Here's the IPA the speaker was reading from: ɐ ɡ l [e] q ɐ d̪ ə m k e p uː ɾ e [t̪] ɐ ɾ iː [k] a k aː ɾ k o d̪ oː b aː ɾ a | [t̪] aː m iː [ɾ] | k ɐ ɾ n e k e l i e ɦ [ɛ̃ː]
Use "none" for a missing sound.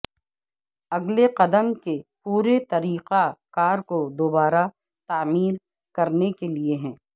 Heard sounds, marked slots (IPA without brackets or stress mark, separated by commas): e, t̪, q, t̪, ɾ, ɛ̃ː